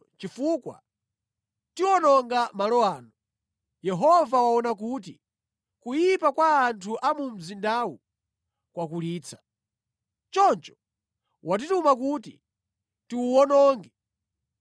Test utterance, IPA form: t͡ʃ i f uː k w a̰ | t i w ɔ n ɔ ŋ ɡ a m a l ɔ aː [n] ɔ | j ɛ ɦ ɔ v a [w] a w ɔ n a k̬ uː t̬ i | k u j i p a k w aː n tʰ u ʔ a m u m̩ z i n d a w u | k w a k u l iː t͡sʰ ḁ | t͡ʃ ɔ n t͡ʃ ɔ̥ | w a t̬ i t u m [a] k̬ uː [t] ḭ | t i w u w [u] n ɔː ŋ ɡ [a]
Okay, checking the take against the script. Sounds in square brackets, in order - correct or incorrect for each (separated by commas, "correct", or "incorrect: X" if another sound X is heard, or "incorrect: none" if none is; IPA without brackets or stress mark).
correct, correct, correct, correct, incorrect: ɔ, incorrect: ɛ